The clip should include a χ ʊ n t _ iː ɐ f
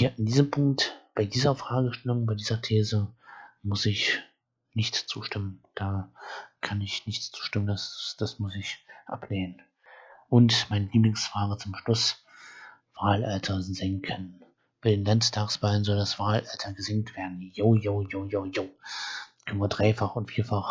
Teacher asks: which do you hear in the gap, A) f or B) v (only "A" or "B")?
A